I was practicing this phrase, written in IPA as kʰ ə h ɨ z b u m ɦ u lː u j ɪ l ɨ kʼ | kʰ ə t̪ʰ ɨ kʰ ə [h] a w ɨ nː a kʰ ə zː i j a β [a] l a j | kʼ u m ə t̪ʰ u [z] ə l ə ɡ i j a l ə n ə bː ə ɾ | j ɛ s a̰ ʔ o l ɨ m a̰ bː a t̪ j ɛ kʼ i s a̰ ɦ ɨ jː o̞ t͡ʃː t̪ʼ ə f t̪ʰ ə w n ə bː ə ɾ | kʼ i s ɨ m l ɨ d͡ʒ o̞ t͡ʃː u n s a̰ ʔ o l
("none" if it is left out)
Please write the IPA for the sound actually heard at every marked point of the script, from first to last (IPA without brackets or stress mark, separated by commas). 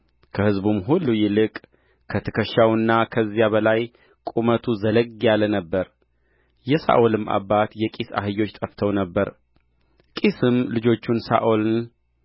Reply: ʃ, ə, z